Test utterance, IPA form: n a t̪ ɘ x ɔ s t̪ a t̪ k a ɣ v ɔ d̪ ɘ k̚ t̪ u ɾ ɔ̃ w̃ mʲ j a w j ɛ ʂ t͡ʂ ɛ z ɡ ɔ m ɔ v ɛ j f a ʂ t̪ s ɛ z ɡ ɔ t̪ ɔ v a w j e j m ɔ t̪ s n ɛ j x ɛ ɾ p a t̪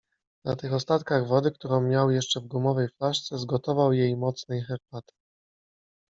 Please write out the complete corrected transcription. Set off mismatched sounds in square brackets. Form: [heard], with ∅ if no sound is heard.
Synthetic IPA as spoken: n a t̪ ɘ x ɔ s t̪ a t̪ k a ɣ v ɔ d̪ ɘ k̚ t̪ u ɾ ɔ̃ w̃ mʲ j a w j ɛ ʂ t͡ʂ ɛ [v] ɡ [u] m ɔ v ɛ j f a ʂ t̪ s ɛ z ɡ ɔ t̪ ɔ v a w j e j m ɔ t̪ s n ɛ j x ɛ ɾ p a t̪